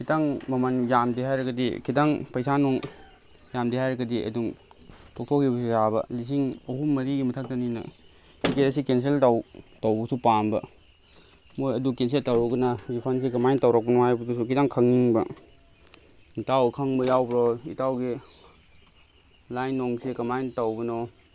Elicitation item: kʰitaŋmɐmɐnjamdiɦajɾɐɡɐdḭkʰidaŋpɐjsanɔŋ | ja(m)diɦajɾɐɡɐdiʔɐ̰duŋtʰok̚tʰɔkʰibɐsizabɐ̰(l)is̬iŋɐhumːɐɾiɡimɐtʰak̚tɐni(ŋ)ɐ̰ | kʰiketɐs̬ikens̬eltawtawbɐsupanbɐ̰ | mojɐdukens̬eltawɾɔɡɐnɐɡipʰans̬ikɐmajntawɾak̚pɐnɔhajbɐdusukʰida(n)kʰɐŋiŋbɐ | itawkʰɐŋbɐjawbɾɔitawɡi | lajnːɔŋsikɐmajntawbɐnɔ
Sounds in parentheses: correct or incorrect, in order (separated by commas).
correct, correct, incorrect, incorrect